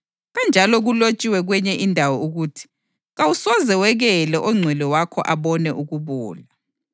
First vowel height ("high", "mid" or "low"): low